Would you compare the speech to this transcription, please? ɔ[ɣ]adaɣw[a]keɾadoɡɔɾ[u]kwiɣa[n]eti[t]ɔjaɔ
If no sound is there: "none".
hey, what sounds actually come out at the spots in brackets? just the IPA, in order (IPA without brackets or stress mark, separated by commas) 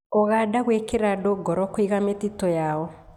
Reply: ɣ, e, ɔ, m, t